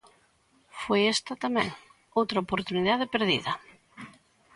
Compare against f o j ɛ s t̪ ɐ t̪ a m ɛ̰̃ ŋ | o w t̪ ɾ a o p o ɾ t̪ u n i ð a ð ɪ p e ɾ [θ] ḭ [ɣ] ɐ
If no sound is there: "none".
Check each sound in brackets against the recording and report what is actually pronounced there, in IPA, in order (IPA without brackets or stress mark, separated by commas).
ð, ð